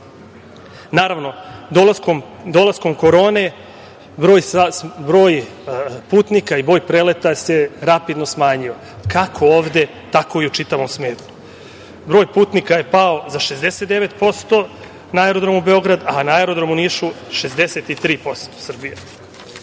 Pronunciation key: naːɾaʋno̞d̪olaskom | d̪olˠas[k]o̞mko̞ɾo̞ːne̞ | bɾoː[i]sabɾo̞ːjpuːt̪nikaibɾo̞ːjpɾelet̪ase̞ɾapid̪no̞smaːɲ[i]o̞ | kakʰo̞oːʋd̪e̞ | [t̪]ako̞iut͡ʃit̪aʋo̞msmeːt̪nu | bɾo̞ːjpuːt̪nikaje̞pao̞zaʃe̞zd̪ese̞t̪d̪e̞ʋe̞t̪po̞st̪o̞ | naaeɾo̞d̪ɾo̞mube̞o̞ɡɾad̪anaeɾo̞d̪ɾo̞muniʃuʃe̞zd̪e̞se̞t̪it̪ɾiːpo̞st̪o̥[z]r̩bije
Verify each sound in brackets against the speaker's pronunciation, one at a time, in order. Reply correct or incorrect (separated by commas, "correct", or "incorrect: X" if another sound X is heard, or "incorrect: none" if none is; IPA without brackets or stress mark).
correct, incorrect: j, correct, correct, incorrect: s